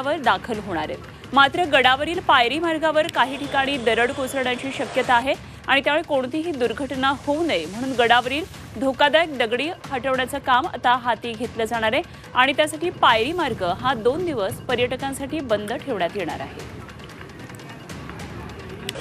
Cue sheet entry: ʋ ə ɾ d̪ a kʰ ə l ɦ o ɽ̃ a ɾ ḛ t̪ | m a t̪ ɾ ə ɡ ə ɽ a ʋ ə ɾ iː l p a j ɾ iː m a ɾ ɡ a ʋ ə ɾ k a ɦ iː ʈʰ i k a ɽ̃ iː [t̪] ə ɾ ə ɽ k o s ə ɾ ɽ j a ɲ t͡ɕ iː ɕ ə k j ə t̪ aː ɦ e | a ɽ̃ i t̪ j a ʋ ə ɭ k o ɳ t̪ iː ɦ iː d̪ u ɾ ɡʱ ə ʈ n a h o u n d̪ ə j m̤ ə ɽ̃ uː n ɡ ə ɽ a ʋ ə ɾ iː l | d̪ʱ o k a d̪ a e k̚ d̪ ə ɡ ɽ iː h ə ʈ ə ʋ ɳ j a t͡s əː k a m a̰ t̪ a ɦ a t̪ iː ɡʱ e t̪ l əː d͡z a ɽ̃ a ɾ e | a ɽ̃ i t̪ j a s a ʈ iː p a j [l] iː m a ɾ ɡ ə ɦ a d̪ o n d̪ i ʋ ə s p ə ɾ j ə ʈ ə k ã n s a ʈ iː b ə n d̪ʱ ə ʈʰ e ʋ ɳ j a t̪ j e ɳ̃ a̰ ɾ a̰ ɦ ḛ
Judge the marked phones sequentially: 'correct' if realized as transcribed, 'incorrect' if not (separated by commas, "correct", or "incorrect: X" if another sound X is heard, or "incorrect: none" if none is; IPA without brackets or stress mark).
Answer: incorrect: d̪, incorrect: ɾ